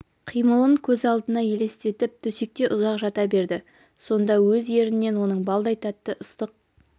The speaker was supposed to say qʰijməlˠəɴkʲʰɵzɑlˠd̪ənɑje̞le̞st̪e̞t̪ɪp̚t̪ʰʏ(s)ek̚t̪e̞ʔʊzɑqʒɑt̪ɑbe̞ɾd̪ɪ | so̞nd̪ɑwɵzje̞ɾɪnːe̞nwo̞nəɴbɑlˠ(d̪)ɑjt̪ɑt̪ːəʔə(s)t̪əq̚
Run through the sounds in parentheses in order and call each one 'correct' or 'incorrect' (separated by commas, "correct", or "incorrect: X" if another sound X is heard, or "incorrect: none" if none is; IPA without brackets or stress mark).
correct, correct, correct